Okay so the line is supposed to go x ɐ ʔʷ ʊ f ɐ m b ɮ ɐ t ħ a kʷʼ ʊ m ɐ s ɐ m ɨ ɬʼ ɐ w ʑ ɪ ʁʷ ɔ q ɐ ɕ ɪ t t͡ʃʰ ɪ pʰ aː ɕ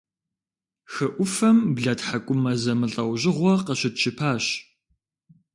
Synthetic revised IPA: x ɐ ʔʷ ʊ f ɐ m b ɮ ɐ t ħ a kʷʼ ʊ m ɐ z ɐ m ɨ ɬʼ ɐ w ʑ ɪ ʁʷ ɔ q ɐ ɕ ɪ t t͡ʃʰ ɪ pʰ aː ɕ